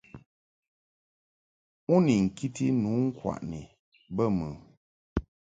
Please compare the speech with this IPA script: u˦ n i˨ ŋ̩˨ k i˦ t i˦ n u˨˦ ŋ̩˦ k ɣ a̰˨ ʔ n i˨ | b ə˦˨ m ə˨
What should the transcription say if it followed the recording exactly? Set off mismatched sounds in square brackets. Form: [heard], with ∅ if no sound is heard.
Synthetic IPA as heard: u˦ n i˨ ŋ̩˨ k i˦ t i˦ n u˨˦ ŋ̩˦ k [w] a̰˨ ʔ n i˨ | b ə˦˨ m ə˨

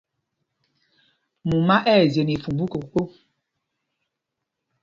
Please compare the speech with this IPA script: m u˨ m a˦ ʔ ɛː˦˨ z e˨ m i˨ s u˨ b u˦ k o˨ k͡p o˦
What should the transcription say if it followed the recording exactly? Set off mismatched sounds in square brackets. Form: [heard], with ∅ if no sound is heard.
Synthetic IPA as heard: m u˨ m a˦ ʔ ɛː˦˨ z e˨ [n] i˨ [f] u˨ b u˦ k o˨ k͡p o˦

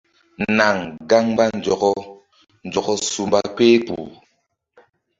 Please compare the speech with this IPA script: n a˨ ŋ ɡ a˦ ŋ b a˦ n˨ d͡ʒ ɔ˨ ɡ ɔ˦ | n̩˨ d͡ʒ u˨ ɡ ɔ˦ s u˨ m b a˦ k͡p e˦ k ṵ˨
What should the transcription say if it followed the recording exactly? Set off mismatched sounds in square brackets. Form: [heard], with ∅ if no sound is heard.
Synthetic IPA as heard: n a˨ ŋ ɡ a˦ ŋ b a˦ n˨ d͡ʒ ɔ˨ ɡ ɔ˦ | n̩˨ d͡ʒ [ɔ˨] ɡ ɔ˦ s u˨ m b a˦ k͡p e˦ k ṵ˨

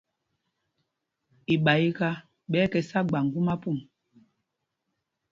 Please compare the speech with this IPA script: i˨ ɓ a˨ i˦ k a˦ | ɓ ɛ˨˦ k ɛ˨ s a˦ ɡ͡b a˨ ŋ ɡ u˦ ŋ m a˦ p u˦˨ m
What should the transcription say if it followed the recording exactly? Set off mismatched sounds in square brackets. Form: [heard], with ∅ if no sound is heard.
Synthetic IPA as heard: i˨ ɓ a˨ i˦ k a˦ | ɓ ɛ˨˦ k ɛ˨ s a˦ ɡ͡b a˨ ŋ ɡ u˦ [∅] m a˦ p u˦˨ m

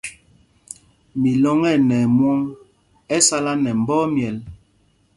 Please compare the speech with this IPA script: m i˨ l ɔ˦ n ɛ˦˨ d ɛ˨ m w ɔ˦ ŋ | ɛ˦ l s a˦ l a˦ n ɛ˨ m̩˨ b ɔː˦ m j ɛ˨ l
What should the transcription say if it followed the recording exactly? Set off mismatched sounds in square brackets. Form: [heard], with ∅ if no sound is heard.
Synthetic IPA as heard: m i˨ l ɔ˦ [ŋ] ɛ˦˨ [n] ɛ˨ m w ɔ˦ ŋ | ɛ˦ [∅] s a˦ l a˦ n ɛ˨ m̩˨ b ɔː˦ m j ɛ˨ l

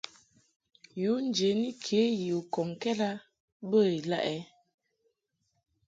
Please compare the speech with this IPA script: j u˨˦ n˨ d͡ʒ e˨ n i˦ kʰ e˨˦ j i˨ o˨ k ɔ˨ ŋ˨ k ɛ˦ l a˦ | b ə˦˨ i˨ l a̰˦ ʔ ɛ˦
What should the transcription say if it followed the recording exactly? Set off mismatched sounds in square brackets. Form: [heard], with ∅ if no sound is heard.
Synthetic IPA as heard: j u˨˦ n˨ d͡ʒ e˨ n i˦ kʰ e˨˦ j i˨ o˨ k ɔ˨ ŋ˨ k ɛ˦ l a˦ | b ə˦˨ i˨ l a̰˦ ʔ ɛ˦

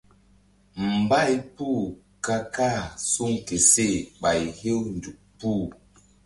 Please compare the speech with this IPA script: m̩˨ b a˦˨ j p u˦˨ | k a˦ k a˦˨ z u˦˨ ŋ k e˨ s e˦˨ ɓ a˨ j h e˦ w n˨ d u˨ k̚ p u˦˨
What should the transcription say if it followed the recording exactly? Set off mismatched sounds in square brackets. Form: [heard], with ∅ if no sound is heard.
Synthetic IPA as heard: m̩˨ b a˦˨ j p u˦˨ | k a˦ k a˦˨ [s] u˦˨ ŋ k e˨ s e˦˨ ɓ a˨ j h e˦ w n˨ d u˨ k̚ p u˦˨

